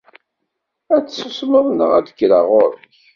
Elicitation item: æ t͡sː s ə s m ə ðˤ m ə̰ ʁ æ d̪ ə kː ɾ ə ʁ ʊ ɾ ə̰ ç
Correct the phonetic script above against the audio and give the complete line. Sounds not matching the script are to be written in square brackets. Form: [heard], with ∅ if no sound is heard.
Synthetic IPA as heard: æ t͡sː s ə s m ə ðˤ [n] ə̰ ʁ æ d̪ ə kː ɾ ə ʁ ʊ ɾ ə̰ ç